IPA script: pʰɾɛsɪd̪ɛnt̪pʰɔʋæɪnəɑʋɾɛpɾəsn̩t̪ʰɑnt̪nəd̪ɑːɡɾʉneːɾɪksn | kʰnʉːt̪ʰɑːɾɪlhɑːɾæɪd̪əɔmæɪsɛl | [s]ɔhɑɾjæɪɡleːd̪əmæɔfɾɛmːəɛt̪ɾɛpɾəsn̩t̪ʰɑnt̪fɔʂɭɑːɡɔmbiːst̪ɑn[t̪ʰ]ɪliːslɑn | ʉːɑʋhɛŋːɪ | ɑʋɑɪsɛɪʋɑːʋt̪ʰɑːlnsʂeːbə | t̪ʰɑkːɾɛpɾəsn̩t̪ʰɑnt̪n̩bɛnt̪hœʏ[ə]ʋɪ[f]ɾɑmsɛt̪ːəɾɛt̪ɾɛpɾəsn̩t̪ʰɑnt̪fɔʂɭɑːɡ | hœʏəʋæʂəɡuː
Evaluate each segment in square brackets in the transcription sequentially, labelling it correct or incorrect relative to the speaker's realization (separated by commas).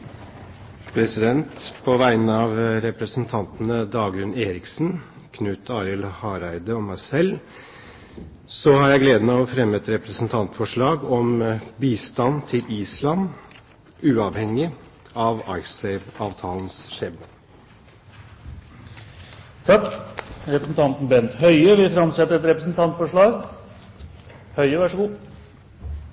correct, correct, correct, correct